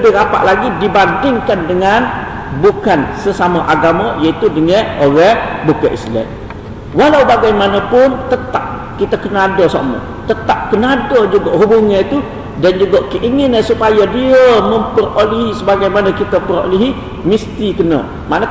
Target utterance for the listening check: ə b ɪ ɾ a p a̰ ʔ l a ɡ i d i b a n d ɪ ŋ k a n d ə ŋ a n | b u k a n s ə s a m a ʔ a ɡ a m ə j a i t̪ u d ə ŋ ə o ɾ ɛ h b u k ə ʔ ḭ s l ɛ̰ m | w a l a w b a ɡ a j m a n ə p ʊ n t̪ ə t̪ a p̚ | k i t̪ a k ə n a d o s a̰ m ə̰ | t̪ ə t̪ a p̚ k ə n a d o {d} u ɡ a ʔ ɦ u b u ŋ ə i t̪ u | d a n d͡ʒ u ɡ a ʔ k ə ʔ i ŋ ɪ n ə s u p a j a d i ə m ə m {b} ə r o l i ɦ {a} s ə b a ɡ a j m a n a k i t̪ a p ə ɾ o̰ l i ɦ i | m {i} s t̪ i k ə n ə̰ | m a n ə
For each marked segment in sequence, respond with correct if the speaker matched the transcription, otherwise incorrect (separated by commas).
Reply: incorrect, incorrect, incorrect, correct